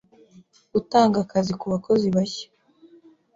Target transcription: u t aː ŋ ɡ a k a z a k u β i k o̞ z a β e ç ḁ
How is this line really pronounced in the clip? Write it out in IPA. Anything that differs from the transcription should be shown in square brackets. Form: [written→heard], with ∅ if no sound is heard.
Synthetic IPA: u t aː ŋ ɡ a k a z [a→i] k u β [i→a] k o̞ z [a→i] β [e→a] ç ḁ